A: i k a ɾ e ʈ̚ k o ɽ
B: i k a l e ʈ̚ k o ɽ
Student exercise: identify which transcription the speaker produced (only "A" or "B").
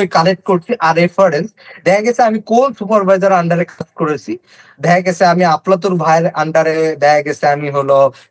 B